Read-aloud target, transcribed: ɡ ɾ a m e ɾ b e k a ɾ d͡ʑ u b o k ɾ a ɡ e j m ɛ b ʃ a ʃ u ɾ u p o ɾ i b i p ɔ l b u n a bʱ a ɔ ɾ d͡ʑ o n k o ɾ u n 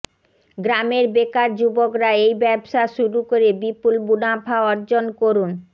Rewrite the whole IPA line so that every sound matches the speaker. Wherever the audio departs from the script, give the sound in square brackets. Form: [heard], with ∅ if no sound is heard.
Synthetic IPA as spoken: ɡ ɾ a m e ɾ b e k a ɾ d͡ʑ u b o k ɾ a [∅] e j [b] ɛ b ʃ a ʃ u ɾ u [k] o ɾ [e] b i p [u] l b u n a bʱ a ɔ ɾ d͡ʑ o n k o ɾ u n